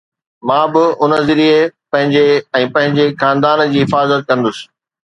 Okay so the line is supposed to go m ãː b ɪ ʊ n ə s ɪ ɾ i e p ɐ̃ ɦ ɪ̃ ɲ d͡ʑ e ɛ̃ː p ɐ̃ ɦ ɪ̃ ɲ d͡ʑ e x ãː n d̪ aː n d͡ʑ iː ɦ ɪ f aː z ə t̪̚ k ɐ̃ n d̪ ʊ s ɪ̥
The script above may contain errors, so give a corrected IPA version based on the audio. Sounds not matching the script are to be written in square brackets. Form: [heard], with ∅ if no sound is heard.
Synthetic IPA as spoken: m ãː b ɪ ʊ n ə [z] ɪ ɾ i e p ɐ̃ ɦ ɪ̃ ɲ d͡ʑ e ɛ̃ː p ɐ̃ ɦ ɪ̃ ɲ d͡ʑ e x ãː n d̪ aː n d͡ʑ iː ɦ ɪ f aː z ə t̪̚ k ɐ̃ n d̪ ʊ s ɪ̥